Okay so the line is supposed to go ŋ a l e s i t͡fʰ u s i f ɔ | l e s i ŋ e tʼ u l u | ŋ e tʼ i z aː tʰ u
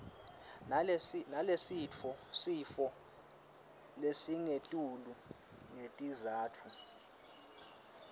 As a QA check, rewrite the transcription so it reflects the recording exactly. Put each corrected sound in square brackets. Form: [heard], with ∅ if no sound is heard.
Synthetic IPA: [n] a l e s i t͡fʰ [ɔ] s i f ɔ | l e s i ŋ e tʼ u l u | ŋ e tʼ i z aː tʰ u

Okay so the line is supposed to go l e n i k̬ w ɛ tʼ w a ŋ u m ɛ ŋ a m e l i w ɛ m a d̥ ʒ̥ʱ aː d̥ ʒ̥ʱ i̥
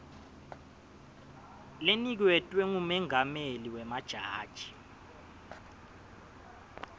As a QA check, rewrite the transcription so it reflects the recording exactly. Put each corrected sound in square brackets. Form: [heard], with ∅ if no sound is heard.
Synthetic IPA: l e n i k̬ w ɛ tʼ w [ɛ] ŋ u m ɛ ŋ a m e l i w ɛ m a d̥ ʒ̥ʱ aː d̥ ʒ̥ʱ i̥

